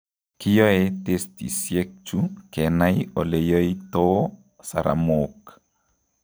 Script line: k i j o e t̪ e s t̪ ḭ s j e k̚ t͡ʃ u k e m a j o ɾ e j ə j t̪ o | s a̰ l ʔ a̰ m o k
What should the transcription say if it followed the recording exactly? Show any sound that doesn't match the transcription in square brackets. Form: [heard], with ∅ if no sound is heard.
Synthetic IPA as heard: k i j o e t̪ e s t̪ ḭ s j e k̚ t͡ʃ u k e [n] a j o [l] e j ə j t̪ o | s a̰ [ɾ] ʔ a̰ m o k